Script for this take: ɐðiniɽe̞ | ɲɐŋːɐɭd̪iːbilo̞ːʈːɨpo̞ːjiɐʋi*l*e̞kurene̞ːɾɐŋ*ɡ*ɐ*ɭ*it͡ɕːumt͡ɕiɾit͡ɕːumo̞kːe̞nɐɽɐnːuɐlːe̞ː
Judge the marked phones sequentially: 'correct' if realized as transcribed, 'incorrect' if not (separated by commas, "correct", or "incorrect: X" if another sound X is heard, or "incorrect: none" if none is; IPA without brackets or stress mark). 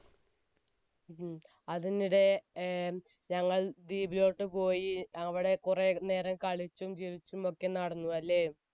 incorrect: ɽ, incorrect: k, correct